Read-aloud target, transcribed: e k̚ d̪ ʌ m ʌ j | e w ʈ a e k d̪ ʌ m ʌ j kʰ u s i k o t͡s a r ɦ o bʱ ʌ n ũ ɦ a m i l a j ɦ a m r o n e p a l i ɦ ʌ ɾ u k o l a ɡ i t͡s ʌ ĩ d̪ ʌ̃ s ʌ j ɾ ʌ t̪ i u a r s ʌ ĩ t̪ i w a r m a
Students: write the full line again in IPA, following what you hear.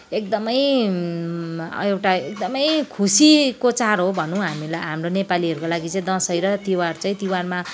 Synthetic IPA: e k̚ d̪ ʌ m ʌ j | e w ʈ a e k d̪ ʌ m ʌ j kʰ u s i k o t͡s a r ɦ o bʱ ʌ n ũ ɦ a m i l a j ɦ a m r o n e p a l i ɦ ʌ ɾ u k o l a ɡ i t͡s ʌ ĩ d̪ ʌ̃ s ʌ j ɾ ʌ t̪ i w a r t͡s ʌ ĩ t̪ i w a r m a

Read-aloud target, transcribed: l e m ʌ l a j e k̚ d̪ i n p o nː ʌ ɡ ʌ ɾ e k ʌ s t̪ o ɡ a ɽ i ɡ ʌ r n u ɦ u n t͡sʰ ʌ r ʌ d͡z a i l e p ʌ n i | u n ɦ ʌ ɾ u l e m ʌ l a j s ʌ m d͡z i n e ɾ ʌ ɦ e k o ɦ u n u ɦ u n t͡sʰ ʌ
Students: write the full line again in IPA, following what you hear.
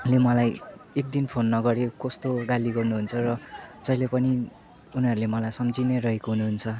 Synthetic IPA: l e m ʌ l a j e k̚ d̪ i n pʰ o nː ʌ ɡ ʌ ɾ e k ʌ s t̪ o ɡ a l i ɡ ʌ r n u ɦ u n t͡sʰ ʌ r ʌ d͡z ʌ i l e p ʌ n i | u n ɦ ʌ ɾ u l e m ʌ l a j s ʌ m d͡z i n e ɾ ʌ ɦ e k o ɦ u n u ɦ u n t͡sʰ ʌ

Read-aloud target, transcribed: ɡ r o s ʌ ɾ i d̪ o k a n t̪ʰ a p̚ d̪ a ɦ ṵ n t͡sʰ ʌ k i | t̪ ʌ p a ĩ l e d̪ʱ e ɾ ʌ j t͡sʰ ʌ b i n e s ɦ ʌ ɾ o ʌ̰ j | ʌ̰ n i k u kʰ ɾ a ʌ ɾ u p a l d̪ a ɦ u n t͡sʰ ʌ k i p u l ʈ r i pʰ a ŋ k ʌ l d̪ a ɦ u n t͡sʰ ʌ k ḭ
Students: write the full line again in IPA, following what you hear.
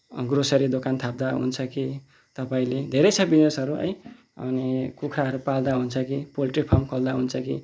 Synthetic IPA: ɡ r o s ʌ ɾ i d̪ o k a n t̪ʰ a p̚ d̪ a ɦ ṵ n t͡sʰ ʌ k i | t̪ ʌ p a ĩ l e d̪ʱ e ɾ ʌ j t͡sʰ ʌ b i n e s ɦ ʌ ɾ u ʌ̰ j | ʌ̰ n i k u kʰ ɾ a ʌ ɾ u p a l d̪ a ɦ u n t͡sʰ ʌ k i p o l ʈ r i pʰ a m k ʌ l d̪ a ɦ u n t͡sʰ ʌ k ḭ

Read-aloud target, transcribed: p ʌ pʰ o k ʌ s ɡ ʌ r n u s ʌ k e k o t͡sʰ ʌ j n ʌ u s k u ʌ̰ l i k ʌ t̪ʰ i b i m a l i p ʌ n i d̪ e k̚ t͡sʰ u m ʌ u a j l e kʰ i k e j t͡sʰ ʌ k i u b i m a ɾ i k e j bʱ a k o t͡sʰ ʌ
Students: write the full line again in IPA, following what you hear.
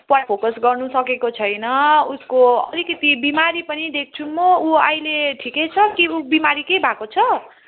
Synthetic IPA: p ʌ pʰ o k ʌ s ɡ ʌ r n u s ʌ k e k o t͡sʰ ʌ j n ʌ u s k o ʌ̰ l i k ʌ t̪ i b i m a ɾ i p ʌ n i d̪ e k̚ t͡sʰ u m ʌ u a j l e ʈʰ i k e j t͡sʰ ʌ k i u b i m a ɾ i k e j bʱ a k o t͡sʰ ʌ

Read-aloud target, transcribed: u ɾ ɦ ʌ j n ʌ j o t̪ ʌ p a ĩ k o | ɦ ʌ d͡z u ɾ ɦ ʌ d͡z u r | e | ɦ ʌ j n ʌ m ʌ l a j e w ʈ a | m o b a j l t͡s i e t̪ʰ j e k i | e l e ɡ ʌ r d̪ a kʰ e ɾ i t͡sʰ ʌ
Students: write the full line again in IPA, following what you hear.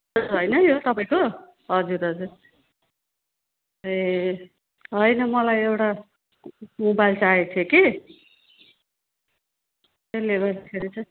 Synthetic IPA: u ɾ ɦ ʌ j n ʌ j o t̪ ʌ p a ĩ k o | ɦ ʌ d͡z u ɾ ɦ ʌ d͡z u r | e | ɦ ʌ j n ʌ m ʌ l a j e w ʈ a | m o b a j l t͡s a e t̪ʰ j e k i | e l e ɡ ʌ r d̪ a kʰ e ɾ i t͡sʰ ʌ

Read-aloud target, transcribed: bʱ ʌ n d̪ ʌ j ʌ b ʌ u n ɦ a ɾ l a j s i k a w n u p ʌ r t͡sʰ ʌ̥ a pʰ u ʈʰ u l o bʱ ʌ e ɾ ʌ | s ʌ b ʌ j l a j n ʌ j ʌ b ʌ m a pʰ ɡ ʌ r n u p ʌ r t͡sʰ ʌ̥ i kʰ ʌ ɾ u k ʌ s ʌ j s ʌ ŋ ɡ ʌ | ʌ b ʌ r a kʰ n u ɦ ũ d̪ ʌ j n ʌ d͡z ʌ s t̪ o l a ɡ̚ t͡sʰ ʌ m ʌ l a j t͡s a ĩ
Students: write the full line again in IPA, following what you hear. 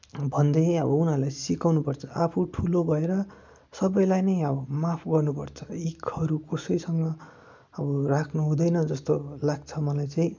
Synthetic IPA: bʱ ʌ n d̪ ʌ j ʌ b ʌ u n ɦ a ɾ l a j s i k a w n u p ʌ r t͡sʰ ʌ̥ a pʰ u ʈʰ u l o bʱ ʌ e ɾ ʌ | s ʌ b ʌ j l a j n ʌ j ʌ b ʌ m a pʰ ɡ ʌ r n u p ʌ r t͡sʰ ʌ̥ i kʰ ʌ ɾ u k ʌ s ʌ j s ʌ ŋ ɡ ʌ | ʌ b ʌ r a kʰ n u ɦ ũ d̪ ʌ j n ʌ d͡z ʌ s t̪ o l a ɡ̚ t͡sʰ ʌ m ʌ l a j t͡s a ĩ

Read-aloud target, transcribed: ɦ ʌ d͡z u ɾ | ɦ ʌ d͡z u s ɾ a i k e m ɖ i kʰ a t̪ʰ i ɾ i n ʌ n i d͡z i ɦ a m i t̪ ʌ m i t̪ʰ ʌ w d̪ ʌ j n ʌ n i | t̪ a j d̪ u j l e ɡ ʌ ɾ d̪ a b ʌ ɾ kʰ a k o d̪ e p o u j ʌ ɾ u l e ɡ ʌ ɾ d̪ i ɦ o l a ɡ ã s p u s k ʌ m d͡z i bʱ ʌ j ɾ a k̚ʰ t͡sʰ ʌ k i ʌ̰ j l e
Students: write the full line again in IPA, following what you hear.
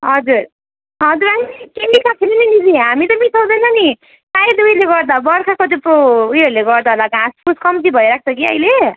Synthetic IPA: ɦ ʌ d͡z u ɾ | ɦ ʌ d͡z u ɾ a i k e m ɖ i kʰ a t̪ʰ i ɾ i n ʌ n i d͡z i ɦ a m i t̪ ʌ m i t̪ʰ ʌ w d̪ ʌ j n ʌ n i | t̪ a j d̪ u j l e ɡ ʌ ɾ d̪ a b ʌ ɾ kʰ a k o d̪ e p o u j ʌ ɾ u l e ɡ ʌ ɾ d̪ a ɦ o l a ɡ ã s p u s k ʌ m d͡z i bʱ ʌ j ɾ a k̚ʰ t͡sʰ ʌ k i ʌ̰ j l e

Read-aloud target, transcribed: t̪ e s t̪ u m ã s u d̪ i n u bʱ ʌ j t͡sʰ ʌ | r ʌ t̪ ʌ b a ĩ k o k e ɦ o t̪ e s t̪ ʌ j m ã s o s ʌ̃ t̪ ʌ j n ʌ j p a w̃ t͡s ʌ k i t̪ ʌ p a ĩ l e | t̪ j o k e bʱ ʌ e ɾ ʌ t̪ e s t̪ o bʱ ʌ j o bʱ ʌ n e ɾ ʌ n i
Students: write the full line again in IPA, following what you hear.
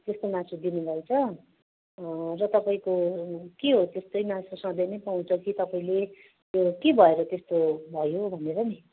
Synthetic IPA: t̪ e s t̪ o m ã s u d̪ i n u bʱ ʌ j t͡sʰ ʌ | r ʌ t̪ ʌ p a ĩ k o k e ɦ o t̪ e s t̪ ʌ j m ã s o s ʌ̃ d̪ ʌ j n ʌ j p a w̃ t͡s ʌ k i t̪ ʌ p a ĩ l e | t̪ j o k e bʱ ʌ e ɾ ʌ t̪ e s t̪ o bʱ ʌ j o bʱ ʌ n e ɾ ʌ n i

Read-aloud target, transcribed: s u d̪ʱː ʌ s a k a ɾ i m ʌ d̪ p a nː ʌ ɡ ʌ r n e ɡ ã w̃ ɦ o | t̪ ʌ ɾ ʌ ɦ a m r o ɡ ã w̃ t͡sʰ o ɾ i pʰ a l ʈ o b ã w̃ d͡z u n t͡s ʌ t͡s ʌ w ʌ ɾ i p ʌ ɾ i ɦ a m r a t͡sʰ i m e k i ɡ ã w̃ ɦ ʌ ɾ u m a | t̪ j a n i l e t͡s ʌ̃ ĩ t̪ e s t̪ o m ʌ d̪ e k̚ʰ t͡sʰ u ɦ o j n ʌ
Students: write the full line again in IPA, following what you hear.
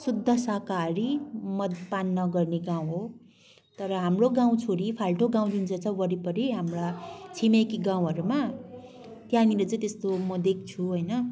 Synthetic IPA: s u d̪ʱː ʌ s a k a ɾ i m ʌ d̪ p a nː ʌ ɡ ʌ r n e ɡ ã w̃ ɦ o | t̪ ʌ ɾ ʌ ɦ a m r o ɡ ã w̃ t͡sʰ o ɾ i pʰ a l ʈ o ɡ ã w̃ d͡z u n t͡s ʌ t͡s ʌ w ʌ ɾ i p ʌ ɾ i ɦ a m r a t͡sʰ i m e k i ɡ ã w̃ ɦ ʌ ɾ u m a | t̪ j a n i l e t͡s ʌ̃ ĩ t̪ e s t̪ o m ʌ d̪ e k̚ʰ t͡sʰ u ɦ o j n ʌ

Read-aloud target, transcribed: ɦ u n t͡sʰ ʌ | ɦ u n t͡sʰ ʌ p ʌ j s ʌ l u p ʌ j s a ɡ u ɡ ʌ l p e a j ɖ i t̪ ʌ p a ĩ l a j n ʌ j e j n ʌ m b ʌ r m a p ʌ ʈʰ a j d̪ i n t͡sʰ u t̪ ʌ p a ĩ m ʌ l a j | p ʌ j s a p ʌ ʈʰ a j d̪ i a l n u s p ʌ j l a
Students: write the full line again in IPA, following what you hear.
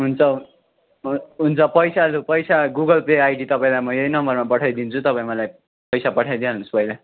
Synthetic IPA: ɦ u n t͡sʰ ʌ | ɦ u n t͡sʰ ʌ p ʌ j s a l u p ʌ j s a ɡ u ɡ ʌ l p e a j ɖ i t̪ ʌ p a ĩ l a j m ʌ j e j n ʌ m b ʌ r m a p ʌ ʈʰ a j d̪ i n t͡sʰ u t̪ ʌ p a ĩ m ʌ l a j | p ʌ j s a p ʌ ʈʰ a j d̪ i a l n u s p ʌ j l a

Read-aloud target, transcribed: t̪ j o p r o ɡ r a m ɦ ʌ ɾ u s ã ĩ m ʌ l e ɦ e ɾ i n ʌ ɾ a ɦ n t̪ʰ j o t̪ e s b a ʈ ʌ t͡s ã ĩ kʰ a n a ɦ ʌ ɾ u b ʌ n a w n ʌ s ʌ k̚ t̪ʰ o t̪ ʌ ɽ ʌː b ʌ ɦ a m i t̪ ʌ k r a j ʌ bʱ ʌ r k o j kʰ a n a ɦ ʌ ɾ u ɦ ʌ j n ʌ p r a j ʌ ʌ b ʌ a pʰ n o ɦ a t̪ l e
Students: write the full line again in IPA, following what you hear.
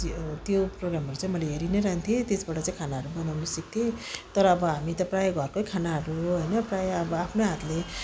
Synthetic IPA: t̪ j o p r o ɡ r a m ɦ ʌ ɾ u t͡s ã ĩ m ʌ l e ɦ e ɾ i n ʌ ɾ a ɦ n t̪ʰ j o t̪ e s b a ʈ ʌ t͡s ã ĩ kʰ a n a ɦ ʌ ɾ u b ʌ n a w n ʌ s ʌ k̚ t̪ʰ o t̪ ʌ ɾ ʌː b ʌ ɦ a m i t̪ ʌ p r a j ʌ ɡʱ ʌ r k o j kʰ a n a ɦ ʌ ɾ u ɦ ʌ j n ʌ p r a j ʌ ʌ b ʌ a pʰ n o ɦ a t̪ l e

